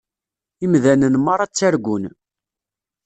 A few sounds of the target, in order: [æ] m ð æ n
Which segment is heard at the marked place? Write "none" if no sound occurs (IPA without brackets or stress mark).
i